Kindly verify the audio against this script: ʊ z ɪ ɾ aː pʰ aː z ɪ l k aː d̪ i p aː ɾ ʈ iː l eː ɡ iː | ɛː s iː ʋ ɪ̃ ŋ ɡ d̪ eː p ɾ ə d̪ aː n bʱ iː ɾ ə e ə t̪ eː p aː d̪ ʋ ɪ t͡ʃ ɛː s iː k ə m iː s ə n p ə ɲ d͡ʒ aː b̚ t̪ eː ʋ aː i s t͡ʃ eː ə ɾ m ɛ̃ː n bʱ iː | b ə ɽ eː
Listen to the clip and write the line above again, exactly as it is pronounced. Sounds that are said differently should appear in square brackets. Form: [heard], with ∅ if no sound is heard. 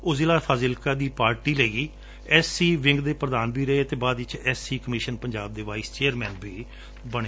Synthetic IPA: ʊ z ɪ [l] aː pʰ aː z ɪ l k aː d̪ [iː] p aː ɾ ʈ iː l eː ɡ iː | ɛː s iː ʋ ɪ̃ ŋ ɡ d̪ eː p ɾ ə d̪ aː n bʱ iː ɾ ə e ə t̪ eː [b] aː d̪ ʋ ɪ t͡ʃ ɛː s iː k ə m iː [ʃ] ə n p ə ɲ d͡ʒ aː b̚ [d̪] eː ʋ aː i s t͡ʃ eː ə ɾ m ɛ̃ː n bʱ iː | b ə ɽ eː

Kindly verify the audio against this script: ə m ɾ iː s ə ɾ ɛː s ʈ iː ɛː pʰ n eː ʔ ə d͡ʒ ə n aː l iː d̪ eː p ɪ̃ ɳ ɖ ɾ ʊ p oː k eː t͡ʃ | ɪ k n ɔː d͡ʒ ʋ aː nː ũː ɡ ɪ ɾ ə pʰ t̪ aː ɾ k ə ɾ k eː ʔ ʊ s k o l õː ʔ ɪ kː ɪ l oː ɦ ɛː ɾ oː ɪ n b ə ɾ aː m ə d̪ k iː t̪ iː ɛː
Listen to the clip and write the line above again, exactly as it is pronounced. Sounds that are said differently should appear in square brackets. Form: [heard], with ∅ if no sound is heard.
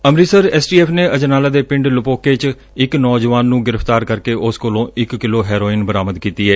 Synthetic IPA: ə m ɾ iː s ə ɾ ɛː s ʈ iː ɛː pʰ n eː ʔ ə d͡ʒ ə n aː l [aː] d̪ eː p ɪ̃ ɳ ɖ [l] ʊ p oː k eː t͡ʃ | ɪ k n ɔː d͡ʒ ʋ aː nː ũː ɡ ɪ ɾ ə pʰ t̪ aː ɾ k ə ɾ k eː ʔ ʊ s k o l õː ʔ ɪ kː ɪ l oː ɦ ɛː ɾ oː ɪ n b ə ɾ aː m ə d̪ k iː t̪ iː ɛː

